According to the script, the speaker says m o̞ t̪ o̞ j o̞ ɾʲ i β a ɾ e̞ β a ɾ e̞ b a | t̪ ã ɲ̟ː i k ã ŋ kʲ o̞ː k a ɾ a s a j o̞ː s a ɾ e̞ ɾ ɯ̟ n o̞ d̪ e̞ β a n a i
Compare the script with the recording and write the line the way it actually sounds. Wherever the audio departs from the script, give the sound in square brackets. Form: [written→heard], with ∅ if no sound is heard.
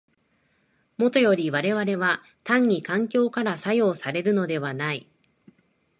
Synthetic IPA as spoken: m o̞ t̪ o̞ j o̞ ɾʲ i β a ɾ e̞ β a ɾ e̞ [b→β] a | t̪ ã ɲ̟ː i k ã ŋ kʲ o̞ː k a ɾ a s a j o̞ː s a ɾ e̞ ɾ ɯ̟ n o̞ d̪ e̞ β a n a i

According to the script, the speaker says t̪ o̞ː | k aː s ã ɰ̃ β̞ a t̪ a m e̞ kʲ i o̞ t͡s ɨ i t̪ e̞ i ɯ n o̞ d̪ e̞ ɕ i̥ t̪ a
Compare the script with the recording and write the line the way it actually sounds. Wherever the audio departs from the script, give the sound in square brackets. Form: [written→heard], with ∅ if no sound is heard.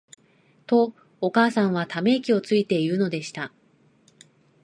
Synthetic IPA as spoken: t̪ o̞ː | k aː s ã ɰ̃ β̞ a t̪ a m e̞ kʲ i o̞ t͡s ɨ i t̪ e̞ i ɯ n o̞ d̪ e̞ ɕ i̥ t̪ a

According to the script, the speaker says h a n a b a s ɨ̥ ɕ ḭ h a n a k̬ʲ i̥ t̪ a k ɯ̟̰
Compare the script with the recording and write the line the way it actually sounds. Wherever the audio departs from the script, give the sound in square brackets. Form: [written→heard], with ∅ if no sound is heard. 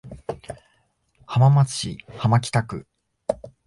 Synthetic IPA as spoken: h a [n→m] a [b→m] a [s→t͡s] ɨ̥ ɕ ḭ h a [n→m] a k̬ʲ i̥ t̪ a k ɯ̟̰

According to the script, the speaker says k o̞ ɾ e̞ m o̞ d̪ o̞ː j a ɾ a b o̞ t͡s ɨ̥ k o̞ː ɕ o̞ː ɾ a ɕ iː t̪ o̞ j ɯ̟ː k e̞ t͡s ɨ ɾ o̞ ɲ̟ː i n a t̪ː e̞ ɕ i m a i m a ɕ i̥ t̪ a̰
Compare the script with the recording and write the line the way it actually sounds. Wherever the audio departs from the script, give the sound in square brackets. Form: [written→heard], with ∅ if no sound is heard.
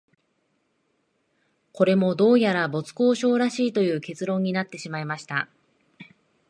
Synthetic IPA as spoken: k o̞ ɾ e̞ m o̞ d̪ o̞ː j a ɾ a b o̞ t͡s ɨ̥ k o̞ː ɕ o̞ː ɾ a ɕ iː t̪ o̞ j ɯ̟ː k e̞ t͡s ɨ ɾ [o̞→õ̞] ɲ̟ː i n a t̪ː e̞ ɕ i m a i m a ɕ i̥ t̪ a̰

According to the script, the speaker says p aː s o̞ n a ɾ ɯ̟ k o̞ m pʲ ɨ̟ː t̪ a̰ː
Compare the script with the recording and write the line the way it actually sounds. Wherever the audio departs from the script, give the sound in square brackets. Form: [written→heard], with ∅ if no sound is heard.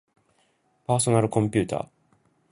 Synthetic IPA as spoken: p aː s o̞ n a ɾ ɯ̟ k [o̞→õ̞] m pʲ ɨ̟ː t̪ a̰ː

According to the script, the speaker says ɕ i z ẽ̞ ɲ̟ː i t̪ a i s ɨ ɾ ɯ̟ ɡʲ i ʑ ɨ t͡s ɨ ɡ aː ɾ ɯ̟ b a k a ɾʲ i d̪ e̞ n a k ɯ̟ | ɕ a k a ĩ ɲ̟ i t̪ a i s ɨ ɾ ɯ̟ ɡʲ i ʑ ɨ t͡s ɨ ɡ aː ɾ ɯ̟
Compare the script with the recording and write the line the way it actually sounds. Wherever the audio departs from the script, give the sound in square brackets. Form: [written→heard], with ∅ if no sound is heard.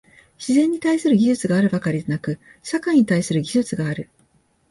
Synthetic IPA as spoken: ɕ i z ẽ̞ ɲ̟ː i t̪ a i s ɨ ɾ ɯ̟ ɡʲ i ʑ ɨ t͡s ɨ ɡ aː ɾ ɯ̟ b a k a ɾʲ i d̪ e̞ n a k ɯ̟ | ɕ a k a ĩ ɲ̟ i t̪ a i s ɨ ɾ ɯ̟ ɡʲ i ʑ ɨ t͡s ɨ ɡ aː ɾ ɯ̟

